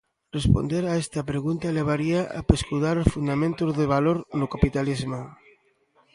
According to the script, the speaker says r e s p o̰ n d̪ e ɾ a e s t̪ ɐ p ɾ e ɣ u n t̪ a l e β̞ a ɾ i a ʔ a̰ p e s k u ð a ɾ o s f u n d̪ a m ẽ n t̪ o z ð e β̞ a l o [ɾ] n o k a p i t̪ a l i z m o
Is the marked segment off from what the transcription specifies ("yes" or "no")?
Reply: no